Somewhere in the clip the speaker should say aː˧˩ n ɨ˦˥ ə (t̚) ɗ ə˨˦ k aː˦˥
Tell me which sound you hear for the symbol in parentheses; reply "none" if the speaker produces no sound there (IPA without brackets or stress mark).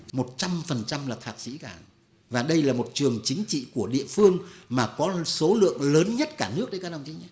k̚